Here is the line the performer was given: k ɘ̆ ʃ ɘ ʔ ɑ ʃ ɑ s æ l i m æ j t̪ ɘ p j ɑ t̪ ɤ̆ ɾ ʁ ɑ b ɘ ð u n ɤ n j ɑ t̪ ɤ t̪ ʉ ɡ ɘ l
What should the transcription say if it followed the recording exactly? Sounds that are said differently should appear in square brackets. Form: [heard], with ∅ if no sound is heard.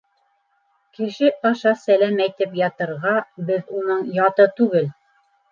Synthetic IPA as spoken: k ɘ̆ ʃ ɘ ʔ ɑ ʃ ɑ s æ l [æ] m æ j t̪ ɘ p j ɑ t̪ ɤ̆ ɾ ʁ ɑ b ɘ ð u n ɤ [ɴ] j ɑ t̪ ɤ t̪ ʉ ɡ ɘ l